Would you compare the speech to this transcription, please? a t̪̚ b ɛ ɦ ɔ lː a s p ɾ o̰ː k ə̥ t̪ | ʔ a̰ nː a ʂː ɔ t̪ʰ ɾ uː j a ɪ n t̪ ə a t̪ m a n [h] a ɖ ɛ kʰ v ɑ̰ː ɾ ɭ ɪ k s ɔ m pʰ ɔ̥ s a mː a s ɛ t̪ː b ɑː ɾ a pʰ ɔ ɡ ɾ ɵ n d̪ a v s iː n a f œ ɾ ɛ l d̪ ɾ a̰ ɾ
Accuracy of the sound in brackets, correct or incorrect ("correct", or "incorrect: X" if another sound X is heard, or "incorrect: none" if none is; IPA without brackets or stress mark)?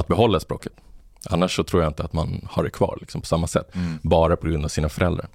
correct